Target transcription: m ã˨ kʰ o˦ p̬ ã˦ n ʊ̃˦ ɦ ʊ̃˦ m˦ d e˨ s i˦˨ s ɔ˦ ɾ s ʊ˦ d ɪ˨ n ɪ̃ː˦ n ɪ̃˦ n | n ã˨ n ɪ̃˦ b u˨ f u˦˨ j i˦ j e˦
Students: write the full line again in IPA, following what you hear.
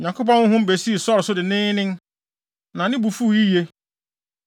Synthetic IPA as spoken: ɲ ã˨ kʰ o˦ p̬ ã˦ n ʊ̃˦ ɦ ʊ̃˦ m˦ b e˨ s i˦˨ s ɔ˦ ɾ s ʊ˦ d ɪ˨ n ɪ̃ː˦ n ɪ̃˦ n | n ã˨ n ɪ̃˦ b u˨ f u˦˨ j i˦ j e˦